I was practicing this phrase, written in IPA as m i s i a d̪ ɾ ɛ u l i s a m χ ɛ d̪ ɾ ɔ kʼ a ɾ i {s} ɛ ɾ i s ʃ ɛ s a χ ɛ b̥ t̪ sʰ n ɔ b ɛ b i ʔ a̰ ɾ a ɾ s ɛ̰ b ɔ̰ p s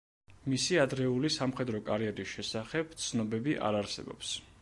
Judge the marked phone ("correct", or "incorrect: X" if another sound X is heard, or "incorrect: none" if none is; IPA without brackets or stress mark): incorrect: none